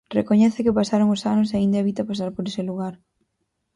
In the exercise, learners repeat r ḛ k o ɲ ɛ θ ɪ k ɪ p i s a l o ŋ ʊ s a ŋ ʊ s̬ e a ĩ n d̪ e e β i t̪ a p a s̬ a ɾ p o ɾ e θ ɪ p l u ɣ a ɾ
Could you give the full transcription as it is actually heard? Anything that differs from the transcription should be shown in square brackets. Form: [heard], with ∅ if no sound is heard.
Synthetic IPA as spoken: r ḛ k o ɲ ɛ θ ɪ k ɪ p [a] s a [ɾ] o ŋ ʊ s a [n] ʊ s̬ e a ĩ n d̪ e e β i t̪ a p a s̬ a ɾ p o ɾ e [s] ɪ [∅] l u ɣ a ɾ